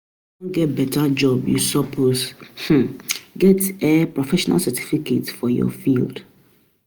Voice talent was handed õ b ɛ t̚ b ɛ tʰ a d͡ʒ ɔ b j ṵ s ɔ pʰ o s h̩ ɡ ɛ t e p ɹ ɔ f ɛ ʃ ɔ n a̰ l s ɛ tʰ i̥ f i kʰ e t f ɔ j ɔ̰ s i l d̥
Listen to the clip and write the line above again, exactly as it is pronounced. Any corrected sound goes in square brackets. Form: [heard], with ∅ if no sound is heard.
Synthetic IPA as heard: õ [ɡ] ɛ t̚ b ɛ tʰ a d͡ʒ ɔ b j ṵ s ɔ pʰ o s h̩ ɡ ɛ t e p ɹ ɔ f ɛ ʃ ɔ n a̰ l s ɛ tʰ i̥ f i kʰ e t f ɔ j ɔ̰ [f] i l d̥

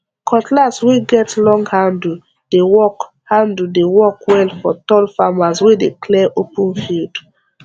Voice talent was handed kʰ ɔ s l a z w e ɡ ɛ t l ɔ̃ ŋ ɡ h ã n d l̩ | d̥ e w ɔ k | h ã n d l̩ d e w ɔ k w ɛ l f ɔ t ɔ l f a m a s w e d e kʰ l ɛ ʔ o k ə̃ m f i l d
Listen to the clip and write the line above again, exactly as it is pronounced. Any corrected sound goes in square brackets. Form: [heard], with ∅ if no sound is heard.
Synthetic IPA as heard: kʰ ɔ [t] l a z w e ɡ ɛ t l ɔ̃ ŋ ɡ h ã n d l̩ | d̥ e w ɔ k | h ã n d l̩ d e w ɔ k w ɛ l f ɔ t ɔ l f a m a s w e d e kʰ l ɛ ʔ o [p] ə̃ [n] f i l d

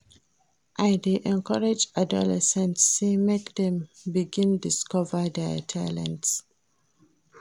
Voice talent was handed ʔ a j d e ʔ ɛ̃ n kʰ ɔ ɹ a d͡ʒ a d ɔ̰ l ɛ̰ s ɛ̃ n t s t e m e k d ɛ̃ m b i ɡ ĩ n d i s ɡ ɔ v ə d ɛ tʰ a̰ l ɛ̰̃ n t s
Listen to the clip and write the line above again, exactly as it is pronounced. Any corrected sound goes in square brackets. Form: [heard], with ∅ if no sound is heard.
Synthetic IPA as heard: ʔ a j d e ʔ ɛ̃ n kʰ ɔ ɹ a d͡ʒ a d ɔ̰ l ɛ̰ s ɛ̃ n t s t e m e k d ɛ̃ m b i ɡ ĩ n d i s [k] ɔ v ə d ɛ tʰ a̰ l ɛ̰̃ n t s

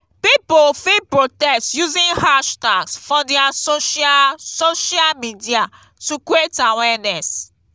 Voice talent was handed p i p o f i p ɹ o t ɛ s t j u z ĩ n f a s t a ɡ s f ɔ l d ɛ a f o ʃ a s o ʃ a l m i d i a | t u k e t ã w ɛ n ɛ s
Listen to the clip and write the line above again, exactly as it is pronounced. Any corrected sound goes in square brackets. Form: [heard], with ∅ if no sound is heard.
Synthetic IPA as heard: p i p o f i p ɹ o t ɛ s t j u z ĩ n [h] a [ʃ] t a ɡ s f ɔ [∅] d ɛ a [s] o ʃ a s o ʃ a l m i d i a | t u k e t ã w ɛ n ɛ s

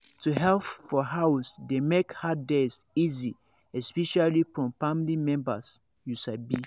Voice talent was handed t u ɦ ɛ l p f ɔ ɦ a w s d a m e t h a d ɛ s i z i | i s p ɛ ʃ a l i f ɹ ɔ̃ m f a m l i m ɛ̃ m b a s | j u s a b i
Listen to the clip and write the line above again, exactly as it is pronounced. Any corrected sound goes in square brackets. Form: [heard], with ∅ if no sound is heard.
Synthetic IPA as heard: t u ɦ ɛ l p f ɔ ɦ a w s d [e] m e [k] h a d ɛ s i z i | [ɛ] s p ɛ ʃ a l i f ɹ ɔ̃ m f a m l i m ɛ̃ m b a s | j u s a b i

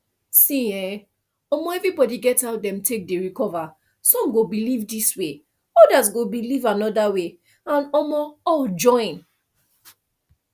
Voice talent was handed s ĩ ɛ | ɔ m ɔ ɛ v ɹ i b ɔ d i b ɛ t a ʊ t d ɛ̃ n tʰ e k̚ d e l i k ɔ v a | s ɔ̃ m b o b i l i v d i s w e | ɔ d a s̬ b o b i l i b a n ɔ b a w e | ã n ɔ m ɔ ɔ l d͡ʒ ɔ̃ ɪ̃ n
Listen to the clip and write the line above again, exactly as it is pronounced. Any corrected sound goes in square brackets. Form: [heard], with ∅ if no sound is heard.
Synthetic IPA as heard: s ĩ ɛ | ɔ m ɔ ɛ v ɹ i b ɔ d i [ɡ] ɛ t a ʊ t d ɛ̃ [m] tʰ e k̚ d e [ɹ] i k ɔ v a | s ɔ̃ m [ɡ] o b i l i v d i s w e | ɔ d a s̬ [ɡ] o b i l i [v] a n ɔ [d] a w e | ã n ɔ m ɔ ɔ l d͡ʒ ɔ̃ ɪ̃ n

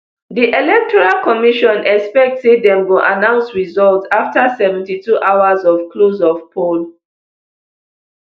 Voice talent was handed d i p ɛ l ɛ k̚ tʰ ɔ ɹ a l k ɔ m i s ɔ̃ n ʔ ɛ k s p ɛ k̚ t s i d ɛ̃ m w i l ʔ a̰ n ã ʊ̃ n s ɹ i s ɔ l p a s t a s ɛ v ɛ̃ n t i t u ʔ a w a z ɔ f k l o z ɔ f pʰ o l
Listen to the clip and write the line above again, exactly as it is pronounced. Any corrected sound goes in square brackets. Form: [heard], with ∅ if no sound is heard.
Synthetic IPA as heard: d i [ʔ] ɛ l ɛ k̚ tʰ ɔ ɹ a l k ɔ m i [ʃ] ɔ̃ n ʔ ɛ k s p ɛ k̚ t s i d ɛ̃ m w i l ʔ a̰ n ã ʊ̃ n s ɹ i [z] ɔ l [t] a [f] t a s ɛ v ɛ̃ n t i t u ʔ a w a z ɔ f k l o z ɔ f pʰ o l

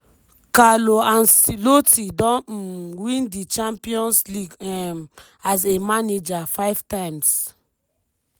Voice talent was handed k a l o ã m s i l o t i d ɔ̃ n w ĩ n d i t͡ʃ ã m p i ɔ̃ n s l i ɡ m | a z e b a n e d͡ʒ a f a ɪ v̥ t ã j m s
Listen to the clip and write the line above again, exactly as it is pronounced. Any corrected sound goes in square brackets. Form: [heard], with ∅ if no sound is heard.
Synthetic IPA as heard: k a l o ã [n] s i l o t i d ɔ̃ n w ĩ n d i t͡ʃ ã m p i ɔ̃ n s l i ɡ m | a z e [m] a n e d͡ʒ a f a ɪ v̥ t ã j m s

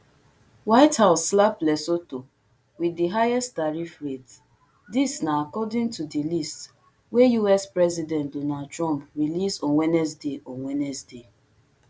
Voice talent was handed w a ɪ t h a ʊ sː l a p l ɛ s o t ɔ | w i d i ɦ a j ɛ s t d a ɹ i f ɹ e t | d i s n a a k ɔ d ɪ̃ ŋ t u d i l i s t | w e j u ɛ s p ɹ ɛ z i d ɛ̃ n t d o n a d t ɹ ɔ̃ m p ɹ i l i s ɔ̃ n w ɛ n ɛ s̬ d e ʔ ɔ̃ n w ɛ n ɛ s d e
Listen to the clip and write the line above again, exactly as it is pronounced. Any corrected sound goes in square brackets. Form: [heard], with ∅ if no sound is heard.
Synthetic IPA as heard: w a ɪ t h a ʊ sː l a p l ɛ s o t [o] | w i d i ɦ a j ɛ s t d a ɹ i f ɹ e t | d i s n a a k ɔ d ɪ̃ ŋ t u d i l i s t | w e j u ɛ s p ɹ ɛ z i d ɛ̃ n t d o n a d t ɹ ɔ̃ m p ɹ i l i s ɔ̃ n w ɛ n ɛ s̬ d e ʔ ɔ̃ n w ɛ n ɛ s d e

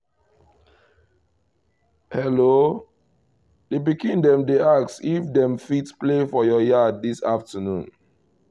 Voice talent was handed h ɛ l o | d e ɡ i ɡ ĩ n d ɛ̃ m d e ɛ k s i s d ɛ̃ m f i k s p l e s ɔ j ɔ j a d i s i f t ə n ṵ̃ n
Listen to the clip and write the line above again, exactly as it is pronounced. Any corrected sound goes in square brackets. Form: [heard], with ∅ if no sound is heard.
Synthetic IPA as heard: h ɛ l o | d e [b] i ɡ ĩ n d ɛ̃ m d e [a] k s i [f] d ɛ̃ m f i [t] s p l e [f] ɔ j ɔ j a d i s [a] f t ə n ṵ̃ n

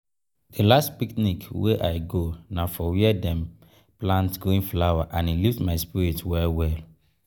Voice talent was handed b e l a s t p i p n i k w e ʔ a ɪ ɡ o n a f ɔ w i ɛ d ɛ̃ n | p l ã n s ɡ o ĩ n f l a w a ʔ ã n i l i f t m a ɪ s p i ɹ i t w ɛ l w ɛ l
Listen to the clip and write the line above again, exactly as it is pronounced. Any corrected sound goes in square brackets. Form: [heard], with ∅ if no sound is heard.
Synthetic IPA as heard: [d] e l a s t p i [k] n i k w e ʔ a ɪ ɡ o n a f ɔ w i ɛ d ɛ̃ [m] | p l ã n [t] ɡ o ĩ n f l a w a ʔ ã n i l i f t m a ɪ s p i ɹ i t w ɛ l w ɛ l

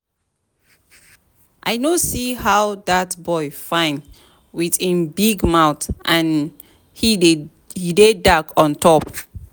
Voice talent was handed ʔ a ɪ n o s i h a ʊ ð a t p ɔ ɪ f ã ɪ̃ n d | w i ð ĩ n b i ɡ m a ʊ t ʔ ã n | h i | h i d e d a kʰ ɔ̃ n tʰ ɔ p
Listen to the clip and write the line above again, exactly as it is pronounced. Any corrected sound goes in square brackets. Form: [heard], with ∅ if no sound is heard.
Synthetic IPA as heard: ʔ a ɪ n o s i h a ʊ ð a t [b] ɔ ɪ f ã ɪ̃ n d | w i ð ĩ n b i ɡ m a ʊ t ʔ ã n | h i | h i d e d a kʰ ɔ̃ n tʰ ɔ p

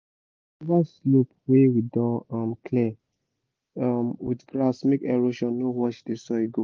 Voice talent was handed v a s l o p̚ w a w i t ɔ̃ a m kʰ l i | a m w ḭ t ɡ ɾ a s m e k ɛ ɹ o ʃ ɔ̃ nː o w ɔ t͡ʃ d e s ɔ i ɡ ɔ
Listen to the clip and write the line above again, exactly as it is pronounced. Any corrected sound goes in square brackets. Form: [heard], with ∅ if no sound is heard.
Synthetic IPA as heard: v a s l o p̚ w [e] w i [d] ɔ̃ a m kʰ l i | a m w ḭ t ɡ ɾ a s m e k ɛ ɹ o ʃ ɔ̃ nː o w ɔ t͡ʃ d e s ɔ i ɡ [o]

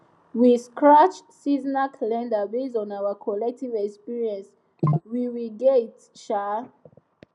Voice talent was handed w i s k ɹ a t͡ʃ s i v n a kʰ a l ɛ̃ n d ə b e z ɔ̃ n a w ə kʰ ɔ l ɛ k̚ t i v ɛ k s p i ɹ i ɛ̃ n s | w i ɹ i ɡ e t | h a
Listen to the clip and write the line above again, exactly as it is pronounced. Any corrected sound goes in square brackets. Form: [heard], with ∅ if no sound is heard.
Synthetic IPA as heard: w i s k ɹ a t͡ʃ s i [z] n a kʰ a l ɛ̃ n d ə b e z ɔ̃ n a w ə kʰ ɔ l ɛ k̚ t i v ɛ k s p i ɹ i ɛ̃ n s | w i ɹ i ɡ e t | [ʃ] a

